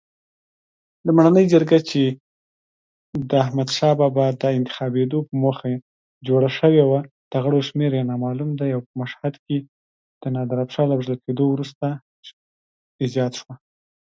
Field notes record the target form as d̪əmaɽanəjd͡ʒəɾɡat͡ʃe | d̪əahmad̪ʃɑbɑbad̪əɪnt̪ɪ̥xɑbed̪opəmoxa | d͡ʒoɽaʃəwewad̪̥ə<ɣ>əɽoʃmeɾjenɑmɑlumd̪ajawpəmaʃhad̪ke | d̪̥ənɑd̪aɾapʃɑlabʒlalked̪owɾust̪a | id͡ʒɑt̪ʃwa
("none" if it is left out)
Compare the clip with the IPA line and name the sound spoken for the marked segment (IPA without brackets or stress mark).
ɣ